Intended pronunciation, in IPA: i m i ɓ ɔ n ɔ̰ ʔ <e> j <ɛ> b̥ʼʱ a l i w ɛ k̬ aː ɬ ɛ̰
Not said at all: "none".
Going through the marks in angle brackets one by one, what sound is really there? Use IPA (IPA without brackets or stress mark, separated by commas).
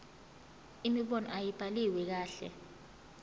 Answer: a, i